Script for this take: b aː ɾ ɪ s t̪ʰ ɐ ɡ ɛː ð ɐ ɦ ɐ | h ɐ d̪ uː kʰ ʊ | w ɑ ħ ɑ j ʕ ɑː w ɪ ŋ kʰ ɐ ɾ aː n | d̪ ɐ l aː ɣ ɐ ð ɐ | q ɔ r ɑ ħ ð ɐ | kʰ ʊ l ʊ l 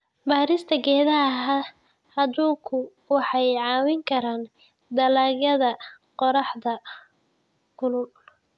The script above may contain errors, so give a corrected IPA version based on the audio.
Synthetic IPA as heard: b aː ɾ ɪ s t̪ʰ ɐ ɡ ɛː ð ɐ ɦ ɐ | h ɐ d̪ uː kʰ ʊ | w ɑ ħ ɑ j ʕ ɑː w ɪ ŋ kʰ ɐ ɾ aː n | d̪ ɐ l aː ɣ ɐ ð ɐ | q ɔ ɾ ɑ ħ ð ɐ | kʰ ʊ l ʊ l